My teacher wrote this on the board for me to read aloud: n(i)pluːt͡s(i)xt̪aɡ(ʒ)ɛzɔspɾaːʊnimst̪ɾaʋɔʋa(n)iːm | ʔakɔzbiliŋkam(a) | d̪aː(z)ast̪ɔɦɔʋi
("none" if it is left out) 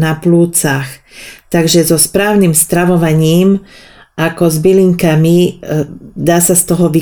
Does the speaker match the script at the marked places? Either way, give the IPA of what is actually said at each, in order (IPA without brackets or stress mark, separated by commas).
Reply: a, a, ʒ, ɲ, i, s